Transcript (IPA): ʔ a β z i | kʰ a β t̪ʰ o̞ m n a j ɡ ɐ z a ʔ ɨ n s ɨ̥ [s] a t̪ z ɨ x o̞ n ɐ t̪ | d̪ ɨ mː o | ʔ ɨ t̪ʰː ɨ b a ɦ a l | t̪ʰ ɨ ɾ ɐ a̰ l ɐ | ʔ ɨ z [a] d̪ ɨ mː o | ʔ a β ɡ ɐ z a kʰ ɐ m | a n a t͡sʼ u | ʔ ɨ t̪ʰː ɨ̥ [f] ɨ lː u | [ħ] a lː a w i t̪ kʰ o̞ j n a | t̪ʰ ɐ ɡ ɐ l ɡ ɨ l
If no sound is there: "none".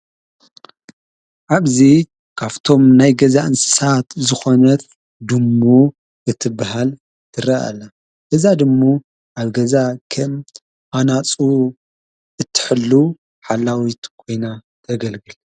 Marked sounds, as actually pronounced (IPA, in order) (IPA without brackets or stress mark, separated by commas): s, a, ħ, ħ